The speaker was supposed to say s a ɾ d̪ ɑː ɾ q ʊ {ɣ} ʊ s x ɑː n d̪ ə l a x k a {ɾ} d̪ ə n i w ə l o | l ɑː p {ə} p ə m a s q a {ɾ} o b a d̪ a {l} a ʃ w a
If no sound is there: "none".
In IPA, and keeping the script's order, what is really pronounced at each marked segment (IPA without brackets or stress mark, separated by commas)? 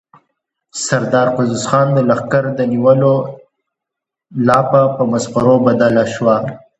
z, ɾ, a, ɾ, l